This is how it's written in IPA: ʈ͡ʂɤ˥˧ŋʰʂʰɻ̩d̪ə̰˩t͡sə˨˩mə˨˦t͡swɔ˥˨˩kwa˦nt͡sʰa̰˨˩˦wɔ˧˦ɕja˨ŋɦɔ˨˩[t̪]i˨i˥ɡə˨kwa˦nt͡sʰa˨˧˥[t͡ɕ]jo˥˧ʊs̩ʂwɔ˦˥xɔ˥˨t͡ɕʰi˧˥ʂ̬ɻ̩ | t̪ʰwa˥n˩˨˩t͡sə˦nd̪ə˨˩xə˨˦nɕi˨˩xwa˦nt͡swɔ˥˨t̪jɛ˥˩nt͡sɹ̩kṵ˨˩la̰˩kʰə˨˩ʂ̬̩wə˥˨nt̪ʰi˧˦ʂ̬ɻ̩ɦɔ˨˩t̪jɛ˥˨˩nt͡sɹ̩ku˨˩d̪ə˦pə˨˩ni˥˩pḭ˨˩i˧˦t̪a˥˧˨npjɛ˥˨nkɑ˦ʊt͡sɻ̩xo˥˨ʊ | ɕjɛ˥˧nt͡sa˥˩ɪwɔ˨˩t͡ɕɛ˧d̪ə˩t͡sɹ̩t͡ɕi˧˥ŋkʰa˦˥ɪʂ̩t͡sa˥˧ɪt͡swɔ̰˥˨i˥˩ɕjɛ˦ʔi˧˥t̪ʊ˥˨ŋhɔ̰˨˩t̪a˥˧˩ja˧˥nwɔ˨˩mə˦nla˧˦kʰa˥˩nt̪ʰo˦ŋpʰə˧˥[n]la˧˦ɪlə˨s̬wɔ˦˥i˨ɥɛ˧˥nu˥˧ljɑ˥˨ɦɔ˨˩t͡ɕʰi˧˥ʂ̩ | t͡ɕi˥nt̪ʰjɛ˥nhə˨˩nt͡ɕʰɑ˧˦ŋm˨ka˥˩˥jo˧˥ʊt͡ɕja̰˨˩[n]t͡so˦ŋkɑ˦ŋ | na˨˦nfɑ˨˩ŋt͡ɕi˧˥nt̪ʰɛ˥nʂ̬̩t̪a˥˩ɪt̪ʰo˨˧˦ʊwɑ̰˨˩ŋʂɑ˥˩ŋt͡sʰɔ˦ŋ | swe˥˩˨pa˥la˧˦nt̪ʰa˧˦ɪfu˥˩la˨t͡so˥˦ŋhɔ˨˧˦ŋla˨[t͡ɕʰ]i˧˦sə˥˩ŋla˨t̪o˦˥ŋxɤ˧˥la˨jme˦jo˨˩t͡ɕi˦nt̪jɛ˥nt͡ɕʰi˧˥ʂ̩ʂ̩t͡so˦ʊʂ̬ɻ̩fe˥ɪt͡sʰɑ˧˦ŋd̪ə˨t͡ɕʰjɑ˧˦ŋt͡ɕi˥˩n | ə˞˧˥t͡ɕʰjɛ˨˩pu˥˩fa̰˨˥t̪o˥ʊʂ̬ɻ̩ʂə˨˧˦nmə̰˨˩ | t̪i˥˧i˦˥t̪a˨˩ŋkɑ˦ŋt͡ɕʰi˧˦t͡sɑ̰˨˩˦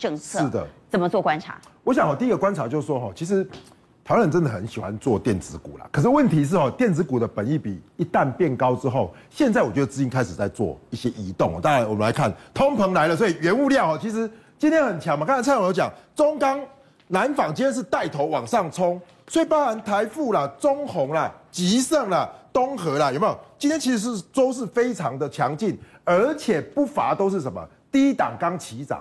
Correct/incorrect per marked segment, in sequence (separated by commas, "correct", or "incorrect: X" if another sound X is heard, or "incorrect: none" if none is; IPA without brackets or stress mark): correct, correct, incorrect: ŋ, incorrect: ŋ, incorrect: t͡ɕ